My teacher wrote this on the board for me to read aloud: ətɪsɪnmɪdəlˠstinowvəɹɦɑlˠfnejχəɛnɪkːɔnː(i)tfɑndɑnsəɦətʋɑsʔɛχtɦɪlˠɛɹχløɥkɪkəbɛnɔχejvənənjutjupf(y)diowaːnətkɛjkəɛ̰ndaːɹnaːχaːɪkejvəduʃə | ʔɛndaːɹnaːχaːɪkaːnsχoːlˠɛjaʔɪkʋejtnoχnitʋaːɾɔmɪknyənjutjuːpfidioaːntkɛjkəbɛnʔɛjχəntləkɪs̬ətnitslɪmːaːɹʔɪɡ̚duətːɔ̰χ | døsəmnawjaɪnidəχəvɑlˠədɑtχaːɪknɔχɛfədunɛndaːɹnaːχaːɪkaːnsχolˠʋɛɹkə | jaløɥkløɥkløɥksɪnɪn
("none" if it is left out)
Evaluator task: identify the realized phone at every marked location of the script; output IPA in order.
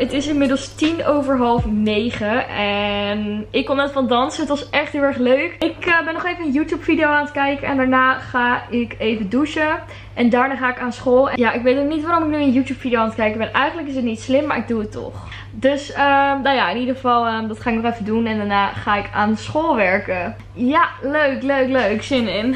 ɛ, i

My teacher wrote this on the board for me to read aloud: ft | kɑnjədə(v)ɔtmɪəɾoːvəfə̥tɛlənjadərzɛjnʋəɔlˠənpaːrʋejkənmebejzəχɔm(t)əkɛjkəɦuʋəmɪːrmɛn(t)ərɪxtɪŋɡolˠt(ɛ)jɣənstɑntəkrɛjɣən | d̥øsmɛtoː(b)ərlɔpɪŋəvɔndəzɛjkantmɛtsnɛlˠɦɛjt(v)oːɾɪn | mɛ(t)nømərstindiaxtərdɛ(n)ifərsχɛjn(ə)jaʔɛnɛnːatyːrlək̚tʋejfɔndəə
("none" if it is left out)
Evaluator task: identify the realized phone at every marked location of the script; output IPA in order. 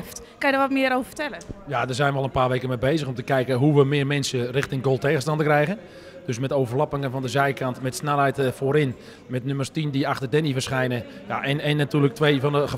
ʋ, t, s, e, v, f, t, n, ə

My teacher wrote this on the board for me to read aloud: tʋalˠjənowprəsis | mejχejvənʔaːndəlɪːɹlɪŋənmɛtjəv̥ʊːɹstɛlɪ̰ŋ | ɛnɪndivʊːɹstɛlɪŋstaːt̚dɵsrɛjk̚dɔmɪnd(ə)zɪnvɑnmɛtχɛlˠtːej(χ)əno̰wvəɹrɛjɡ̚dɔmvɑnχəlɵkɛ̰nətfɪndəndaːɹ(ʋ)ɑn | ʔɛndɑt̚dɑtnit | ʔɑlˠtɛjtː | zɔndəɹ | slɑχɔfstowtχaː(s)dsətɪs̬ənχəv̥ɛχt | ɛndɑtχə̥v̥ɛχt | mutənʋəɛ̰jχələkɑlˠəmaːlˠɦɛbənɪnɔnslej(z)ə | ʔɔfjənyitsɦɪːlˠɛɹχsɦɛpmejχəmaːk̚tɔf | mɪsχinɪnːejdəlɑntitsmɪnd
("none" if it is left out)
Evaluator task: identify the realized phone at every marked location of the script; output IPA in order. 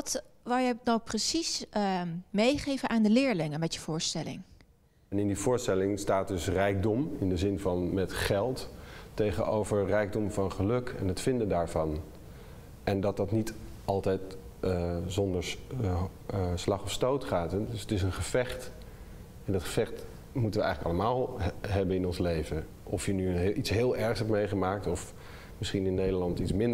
ə, χ, v, t, v

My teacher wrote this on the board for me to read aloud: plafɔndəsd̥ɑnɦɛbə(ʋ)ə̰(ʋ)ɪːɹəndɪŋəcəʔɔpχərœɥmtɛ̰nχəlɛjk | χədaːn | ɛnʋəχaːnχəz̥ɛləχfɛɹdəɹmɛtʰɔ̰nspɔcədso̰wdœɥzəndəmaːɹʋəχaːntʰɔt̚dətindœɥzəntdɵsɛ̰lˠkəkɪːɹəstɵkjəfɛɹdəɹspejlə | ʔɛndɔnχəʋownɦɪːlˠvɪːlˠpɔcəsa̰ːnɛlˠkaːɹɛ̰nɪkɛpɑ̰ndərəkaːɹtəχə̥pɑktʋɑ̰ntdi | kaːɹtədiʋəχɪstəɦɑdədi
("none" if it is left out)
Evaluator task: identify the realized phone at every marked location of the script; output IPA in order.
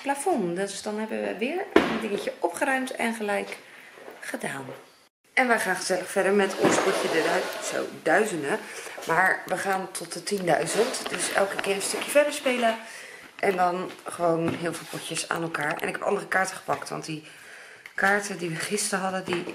ʋ, ʋ

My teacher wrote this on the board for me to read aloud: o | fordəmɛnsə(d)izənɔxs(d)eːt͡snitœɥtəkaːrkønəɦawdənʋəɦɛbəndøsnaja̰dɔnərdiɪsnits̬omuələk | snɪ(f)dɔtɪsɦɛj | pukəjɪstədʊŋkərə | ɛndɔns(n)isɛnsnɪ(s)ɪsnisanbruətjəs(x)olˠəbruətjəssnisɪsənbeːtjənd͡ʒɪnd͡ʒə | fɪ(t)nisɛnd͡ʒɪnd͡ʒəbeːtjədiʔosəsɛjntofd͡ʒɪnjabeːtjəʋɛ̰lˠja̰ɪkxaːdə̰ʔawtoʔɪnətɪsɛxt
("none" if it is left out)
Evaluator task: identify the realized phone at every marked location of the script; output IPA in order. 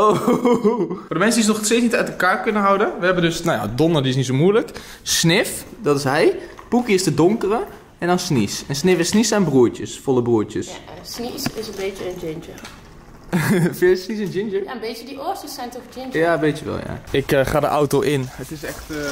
d, t, f, n, f, f, s

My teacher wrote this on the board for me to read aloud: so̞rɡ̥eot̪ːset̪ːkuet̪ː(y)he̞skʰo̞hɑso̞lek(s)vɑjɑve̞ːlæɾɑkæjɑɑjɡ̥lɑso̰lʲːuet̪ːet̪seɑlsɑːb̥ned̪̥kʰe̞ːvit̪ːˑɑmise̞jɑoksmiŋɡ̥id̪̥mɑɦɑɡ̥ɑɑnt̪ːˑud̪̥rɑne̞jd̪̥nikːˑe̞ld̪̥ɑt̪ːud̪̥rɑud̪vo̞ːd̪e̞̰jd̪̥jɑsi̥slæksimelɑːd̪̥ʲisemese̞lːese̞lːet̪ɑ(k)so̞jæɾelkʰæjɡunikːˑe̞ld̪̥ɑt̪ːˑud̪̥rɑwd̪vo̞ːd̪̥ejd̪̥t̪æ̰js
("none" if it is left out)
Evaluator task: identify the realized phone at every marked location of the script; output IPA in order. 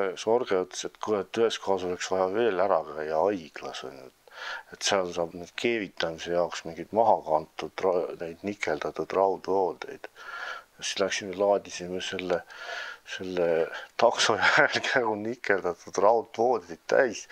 y, s, k

